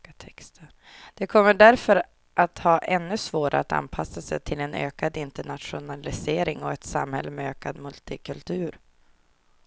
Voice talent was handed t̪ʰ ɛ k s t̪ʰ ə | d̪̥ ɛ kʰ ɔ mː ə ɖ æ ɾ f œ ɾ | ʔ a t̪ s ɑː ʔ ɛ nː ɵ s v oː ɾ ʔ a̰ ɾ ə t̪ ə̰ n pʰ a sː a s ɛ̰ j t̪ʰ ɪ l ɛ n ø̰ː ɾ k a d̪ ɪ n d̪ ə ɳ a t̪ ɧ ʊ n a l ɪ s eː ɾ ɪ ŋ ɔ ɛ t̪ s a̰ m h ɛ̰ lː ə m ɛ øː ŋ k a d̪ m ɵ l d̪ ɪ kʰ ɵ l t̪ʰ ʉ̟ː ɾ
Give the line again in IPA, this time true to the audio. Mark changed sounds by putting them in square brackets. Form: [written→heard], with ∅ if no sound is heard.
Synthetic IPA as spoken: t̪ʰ ɛ k s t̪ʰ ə | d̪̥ ɛ kʰ ɔ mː ə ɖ æ ɾ f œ ɾ | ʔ a t̪ [s→h] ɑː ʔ ɛ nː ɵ s v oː ɾ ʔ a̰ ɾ [ə→a] t̪ [ə̰→a̰] n pʰ a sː a s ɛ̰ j t̪ʰ ɪ l ɛ n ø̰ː [ɾ→∅] k a d̪ ɪ n [d̪→t̪] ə ɳ a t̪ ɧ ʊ n a l ɪ s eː ɾ ɪ ŋ ɔ ɛ t̪ s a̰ m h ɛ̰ lː ə m ɛ øː [ŋ→∅] k a d̪ m ɵ l [d̪→t̪] ɪ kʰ ɵ l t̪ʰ ʉ̟ː ɾ